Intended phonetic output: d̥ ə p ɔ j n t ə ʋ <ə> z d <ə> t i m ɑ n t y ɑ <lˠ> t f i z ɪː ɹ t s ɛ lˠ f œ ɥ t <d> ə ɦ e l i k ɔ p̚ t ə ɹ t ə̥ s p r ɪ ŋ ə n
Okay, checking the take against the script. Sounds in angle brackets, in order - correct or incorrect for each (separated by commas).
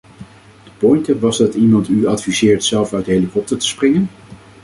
incorrect, incorrect, incorrect, correct